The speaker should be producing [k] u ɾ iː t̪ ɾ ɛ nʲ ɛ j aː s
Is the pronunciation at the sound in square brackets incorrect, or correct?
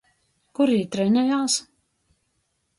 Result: correct